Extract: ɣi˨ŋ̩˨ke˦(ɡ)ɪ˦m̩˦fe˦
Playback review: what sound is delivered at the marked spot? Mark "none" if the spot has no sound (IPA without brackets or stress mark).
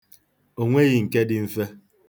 d